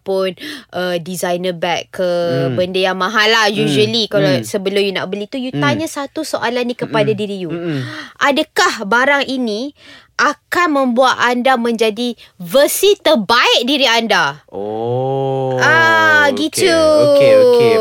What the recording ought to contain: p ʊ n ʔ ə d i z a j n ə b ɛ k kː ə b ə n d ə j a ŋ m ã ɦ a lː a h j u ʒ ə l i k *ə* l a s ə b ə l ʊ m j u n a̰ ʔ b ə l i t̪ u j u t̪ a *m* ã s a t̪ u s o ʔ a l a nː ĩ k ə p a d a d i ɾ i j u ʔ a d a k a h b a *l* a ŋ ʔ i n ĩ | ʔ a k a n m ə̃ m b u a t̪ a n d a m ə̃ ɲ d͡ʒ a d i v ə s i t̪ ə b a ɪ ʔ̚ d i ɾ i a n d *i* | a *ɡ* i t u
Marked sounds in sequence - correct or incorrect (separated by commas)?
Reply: incorrect, incorrect, incorrect, incorrect, correct